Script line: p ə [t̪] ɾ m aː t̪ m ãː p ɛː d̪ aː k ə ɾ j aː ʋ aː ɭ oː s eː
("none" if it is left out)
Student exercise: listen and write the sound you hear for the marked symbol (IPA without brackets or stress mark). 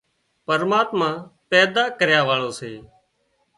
none